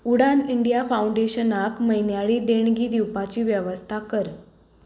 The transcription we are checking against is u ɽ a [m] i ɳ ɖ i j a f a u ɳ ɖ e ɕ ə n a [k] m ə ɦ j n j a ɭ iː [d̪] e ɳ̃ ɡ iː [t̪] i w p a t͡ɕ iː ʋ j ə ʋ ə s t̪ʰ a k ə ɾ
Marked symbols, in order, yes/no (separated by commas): no, yes, yes, no